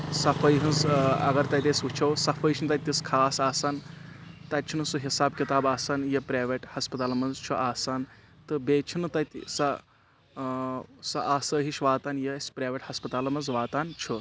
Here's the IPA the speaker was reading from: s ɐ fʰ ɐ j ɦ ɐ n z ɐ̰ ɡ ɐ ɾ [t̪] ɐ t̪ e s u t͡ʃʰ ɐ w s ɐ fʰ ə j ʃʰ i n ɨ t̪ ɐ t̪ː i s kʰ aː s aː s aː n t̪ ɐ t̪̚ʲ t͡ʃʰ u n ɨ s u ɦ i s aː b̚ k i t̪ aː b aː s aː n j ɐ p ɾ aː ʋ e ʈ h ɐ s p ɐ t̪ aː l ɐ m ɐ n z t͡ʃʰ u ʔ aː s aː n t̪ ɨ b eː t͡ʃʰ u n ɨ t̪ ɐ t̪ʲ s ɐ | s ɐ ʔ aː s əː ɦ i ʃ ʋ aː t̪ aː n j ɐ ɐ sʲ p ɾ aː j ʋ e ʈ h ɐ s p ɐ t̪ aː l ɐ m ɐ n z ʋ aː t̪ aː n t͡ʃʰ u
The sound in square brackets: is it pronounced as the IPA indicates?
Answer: yes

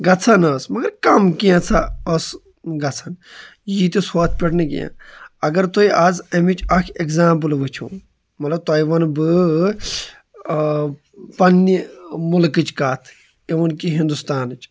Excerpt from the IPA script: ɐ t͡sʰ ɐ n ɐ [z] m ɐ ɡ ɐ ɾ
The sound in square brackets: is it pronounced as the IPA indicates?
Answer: no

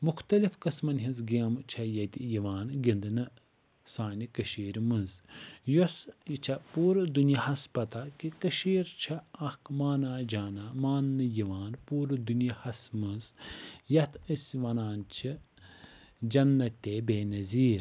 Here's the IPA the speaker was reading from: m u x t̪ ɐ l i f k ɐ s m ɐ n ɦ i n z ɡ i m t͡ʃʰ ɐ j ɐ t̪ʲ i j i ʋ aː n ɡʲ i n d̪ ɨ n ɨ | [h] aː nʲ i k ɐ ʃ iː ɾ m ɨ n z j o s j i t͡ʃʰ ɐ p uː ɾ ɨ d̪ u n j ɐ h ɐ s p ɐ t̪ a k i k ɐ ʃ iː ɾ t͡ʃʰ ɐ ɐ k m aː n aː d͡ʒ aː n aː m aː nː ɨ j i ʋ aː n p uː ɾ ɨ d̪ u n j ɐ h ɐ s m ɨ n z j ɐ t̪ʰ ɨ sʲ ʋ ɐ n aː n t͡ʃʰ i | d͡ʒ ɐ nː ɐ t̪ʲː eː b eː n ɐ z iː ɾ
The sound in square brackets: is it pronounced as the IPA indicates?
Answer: no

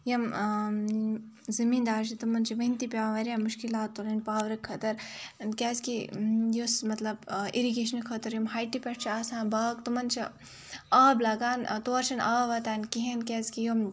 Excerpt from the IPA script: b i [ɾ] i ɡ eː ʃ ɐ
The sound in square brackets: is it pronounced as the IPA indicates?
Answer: yes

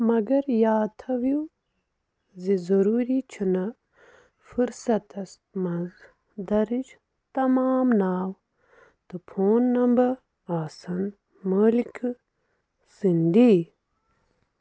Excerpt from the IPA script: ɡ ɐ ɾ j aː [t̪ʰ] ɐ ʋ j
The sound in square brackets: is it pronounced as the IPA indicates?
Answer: yes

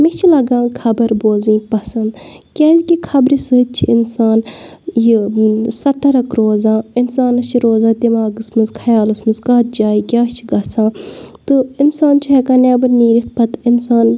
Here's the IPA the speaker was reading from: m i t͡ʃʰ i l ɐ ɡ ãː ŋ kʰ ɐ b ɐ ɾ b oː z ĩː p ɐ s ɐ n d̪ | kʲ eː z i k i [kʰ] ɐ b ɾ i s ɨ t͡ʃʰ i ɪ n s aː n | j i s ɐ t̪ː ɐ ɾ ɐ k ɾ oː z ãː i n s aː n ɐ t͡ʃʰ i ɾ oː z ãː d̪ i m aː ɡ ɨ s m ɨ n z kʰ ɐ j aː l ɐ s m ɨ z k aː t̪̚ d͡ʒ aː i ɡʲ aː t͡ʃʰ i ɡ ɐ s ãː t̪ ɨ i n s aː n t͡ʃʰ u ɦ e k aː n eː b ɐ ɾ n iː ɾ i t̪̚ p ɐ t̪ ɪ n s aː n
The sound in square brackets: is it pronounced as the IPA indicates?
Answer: yes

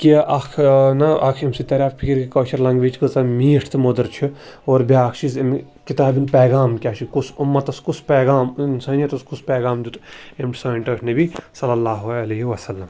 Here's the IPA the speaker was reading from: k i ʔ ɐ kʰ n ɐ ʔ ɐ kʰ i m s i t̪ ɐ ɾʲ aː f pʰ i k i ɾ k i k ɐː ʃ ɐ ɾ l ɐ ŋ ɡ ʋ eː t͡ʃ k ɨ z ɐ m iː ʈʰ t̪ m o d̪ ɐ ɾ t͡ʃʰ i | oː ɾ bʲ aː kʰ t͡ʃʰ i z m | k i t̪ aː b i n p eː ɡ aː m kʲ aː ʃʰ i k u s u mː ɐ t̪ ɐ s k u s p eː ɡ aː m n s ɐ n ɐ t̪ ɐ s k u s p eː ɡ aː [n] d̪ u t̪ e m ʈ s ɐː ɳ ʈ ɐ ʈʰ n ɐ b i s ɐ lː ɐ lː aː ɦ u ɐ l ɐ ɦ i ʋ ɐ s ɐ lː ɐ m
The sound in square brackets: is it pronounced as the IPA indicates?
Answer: no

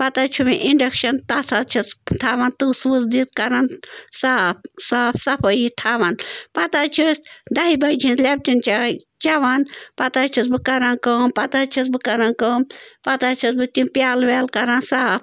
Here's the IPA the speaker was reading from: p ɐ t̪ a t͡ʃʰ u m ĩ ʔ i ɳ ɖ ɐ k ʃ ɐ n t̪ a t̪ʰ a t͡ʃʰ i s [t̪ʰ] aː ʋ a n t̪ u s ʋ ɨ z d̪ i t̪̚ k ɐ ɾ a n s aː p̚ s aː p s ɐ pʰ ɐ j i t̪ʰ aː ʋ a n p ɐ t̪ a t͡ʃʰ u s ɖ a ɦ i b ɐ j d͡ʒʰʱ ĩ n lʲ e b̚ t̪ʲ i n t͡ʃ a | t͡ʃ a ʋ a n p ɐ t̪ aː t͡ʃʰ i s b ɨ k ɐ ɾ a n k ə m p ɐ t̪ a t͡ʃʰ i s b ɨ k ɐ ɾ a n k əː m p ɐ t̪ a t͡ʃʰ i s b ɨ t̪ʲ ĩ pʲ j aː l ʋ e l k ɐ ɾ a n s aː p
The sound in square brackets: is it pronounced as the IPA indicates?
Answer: yes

